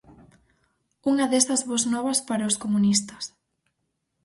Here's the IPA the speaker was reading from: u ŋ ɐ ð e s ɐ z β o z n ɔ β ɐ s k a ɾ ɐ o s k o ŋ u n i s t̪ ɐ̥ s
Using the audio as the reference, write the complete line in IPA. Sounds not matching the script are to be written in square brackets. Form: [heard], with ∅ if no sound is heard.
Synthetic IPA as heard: u ŋ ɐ ð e s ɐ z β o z n ɔ β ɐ s [p] a ɾ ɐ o s k o [m] u n i s t̪ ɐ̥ s